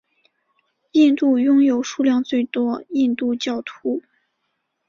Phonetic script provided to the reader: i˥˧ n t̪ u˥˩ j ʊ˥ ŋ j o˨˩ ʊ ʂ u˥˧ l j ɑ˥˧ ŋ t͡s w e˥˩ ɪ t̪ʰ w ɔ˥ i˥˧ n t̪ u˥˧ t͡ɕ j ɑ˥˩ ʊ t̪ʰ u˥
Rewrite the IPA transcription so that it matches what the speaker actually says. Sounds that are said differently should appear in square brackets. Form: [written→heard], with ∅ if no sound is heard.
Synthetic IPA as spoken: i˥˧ n t̪ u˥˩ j ʊ˥ ŋ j o˨˩ ʊ ʂ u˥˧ l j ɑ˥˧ ŋ t͡s w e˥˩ ɪ [t̪ʰ→t̪] w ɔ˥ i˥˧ n t̪ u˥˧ t͡ɕ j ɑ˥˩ ʊ t̪ʰ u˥